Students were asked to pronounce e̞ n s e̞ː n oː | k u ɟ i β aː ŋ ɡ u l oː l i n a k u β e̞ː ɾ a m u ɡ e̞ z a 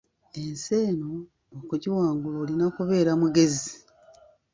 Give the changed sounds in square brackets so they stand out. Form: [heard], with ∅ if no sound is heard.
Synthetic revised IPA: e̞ n s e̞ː n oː | k u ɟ i [w] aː ŋ ɡ u l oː l i n a k u β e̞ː ɾ a m u ɡ e̞ z [i]